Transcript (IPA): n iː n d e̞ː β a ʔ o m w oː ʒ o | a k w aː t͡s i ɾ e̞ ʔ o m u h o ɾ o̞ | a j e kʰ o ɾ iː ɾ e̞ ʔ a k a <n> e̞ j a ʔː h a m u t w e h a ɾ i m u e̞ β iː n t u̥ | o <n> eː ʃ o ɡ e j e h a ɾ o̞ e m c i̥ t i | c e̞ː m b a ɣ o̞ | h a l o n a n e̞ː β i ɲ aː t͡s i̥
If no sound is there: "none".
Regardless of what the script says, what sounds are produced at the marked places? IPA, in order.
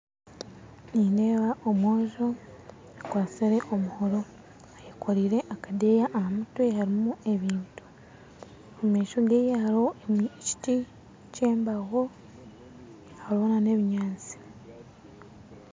d, m

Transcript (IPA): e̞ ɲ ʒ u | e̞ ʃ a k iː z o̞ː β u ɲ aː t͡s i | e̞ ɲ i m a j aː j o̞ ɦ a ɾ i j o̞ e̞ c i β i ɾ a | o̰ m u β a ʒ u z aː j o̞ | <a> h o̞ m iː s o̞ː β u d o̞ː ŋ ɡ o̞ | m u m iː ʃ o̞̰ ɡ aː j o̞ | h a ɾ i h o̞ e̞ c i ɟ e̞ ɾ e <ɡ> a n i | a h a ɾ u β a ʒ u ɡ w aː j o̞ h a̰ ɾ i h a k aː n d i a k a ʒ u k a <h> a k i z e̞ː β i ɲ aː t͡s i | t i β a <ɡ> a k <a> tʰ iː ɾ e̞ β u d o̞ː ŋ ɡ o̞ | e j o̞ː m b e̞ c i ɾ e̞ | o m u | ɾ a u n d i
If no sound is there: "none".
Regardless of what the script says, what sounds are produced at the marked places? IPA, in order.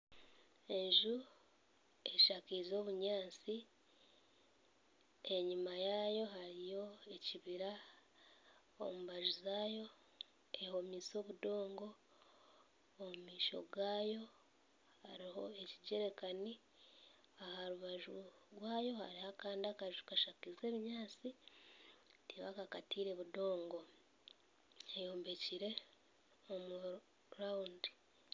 e, k, ʃ, k, a

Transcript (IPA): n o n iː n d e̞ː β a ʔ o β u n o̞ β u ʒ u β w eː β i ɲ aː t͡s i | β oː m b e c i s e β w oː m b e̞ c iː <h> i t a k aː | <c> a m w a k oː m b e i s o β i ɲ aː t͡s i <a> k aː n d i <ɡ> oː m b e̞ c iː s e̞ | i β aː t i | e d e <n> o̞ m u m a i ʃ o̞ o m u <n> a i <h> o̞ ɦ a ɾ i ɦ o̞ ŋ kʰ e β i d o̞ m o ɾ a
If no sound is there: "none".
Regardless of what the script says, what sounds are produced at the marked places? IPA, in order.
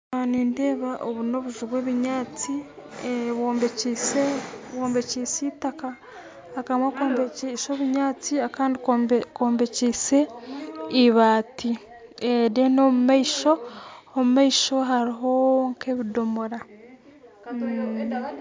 s, k, a, k, n, m, ʃ

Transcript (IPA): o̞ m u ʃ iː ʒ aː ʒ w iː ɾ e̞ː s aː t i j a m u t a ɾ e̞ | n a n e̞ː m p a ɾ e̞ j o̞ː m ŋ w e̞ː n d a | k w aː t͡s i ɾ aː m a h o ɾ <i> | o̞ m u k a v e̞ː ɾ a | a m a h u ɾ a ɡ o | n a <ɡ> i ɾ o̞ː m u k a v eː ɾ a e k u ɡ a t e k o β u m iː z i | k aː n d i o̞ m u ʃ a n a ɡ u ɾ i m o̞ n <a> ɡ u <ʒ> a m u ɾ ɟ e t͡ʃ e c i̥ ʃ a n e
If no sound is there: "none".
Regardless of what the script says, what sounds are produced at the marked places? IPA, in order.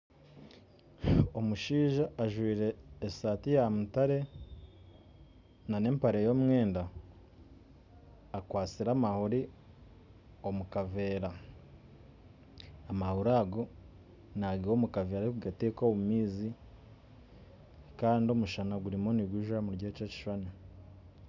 i, ɡ, i, ʒ

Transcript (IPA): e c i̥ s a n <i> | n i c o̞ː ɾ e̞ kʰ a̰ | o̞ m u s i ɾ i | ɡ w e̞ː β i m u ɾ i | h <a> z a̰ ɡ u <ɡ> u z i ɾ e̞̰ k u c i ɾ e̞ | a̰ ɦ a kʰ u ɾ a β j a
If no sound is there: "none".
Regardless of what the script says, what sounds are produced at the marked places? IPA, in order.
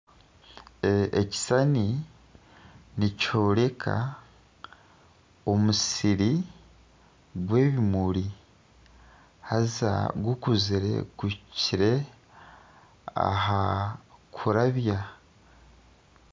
i, a, k

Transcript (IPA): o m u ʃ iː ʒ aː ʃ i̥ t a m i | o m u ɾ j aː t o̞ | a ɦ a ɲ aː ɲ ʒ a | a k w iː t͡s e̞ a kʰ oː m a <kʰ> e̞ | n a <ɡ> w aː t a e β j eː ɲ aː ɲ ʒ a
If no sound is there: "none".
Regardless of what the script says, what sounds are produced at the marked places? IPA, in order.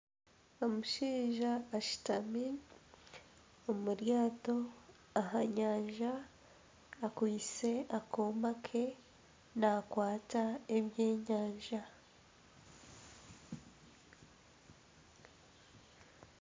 kʰ, k

